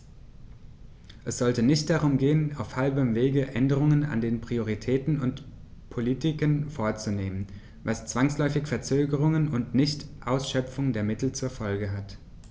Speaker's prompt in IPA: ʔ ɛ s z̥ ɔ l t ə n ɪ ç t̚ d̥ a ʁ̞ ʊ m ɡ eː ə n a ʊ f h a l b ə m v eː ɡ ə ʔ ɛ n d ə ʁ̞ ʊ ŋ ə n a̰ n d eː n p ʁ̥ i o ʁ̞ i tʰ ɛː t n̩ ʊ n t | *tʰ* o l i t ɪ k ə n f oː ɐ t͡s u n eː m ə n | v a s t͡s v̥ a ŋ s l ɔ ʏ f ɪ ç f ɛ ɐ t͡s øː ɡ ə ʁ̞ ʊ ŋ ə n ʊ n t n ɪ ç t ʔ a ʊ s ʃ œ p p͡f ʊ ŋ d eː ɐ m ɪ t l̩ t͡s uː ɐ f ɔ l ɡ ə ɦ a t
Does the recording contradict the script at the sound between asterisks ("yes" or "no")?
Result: yes